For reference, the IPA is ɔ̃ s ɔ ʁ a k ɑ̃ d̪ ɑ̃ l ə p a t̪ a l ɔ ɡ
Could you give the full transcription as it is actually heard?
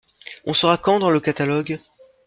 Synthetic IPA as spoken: ɔ̃ s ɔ ʁ a k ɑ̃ d̪ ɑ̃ l ə k a t̪ a l ɔ ɡ